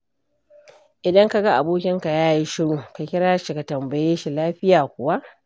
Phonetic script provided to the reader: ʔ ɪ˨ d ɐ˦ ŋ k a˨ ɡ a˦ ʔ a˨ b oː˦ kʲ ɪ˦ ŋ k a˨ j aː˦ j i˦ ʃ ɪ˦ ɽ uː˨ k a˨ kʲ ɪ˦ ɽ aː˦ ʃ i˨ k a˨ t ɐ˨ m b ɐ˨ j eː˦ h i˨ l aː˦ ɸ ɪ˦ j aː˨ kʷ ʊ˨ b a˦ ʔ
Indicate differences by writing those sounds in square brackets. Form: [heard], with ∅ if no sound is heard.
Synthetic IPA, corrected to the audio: ʔ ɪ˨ d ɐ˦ ŋ k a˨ ɡ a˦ ʔ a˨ b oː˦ kʲ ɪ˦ ŋ k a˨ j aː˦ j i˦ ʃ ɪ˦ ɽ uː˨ k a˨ kʲ ɪ˦ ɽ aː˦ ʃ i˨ k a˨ t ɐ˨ m b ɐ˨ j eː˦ [ʃ] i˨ l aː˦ ɸ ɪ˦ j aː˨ kʷ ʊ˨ [w] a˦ ʔ